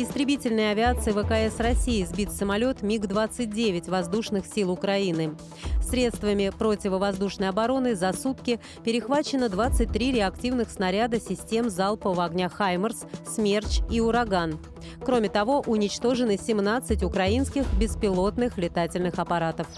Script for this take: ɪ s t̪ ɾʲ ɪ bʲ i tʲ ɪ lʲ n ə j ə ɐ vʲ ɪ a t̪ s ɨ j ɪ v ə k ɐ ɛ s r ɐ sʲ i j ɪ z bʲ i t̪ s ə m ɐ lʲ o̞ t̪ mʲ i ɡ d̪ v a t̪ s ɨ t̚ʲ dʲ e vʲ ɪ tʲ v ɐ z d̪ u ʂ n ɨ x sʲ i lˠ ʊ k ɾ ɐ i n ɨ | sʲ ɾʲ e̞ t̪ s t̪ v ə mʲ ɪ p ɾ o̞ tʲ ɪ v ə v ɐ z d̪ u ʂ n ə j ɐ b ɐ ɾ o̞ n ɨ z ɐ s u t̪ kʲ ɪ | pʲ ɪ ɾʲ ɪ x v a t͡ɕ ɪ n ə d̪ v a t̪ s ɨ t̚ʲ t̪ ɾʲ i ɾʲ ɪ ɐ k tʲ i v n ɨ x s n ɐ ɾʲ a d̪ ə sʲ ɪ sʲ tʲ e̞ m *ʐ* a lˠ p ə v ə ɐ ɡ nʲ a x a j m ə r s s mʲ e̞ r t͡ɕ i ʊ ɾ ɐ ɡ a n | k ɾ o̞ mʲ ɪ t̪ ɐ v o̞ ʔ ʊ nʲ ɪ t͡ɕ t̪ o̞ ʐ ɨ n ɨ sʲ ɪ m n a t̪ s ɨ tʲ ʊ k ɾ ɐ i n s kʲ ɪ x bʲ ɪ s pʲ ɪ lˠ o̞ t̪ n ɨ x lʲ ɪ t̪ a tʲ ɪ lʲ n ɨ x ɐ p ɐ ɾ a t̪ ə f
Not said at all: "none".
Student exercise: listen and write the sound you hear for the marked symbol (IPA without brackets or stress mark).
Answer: z